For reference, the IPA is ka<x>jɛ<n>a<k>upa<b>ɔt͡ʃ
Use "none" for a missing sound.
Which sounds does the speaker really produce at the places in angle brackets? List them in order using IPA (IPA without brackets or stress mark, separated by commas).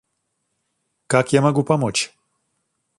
k, m, ɡ, m